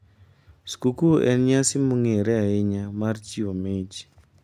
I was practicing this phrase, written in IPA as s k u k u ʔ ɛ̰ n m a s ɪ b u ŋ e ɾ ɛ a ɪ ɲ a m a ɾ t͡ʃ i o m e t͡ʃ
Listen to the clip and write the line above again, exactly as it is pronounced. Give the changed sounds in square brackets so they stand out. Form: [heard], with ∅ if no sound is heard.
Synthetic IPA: s k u k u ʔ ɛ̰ n [ɲ] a s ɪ [m] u ŋ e ɾ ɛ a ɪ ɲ a m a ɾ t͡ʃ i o m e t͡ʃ